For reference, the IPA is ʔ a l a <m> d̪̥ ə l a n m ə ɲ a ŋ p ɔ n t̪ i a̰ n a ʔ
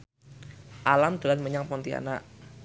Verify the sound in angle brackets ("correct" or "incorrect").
correct